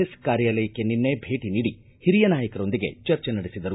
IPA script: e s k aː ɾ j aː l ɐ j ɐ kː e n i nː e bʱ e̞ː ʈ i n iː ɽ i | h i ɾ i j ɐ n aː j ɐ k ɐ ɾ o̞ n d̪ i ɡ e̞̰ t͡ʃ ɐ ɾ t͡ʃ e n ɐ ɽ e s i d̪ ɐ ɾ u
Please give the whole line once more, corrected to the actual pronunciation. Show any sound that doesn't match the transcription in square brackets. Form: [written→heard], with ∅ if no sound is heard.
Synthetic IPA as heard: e s k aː ɾ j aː l ɐ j ɐ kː e n i nː e bʱ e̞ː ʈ i n iː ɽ i | h i ɾ i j ɐ n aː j ɐ k ɐ ɾ o̞ n d̪ i ɡ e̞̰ t͡ʃ ɐ ɾ t͡ʃ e n ɐ ɽ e s i d̪ ɐ ɾ u